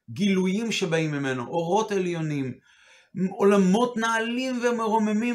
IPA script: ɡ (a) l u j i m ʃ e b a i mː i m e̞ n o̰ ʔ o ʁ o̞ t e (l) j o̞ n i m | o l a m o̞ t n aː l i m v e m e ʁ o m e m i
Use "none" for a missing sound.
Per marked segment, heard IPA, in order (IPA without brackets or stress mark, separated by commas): i, l